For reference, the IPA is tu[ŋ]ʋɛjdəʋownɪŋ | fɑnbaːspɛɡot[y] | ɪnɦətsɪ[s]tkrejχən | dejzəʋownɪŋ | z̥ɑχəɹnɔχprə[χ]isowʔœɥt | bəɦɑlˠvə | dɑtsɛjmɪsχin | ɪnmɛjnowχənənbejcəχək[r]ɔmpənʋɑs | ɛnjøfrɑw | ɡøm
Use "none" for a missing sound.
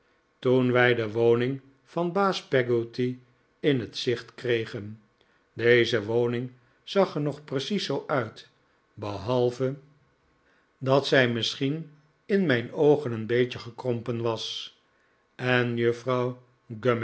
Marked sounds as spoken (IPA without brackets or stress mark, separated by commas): n, i, χ, s, r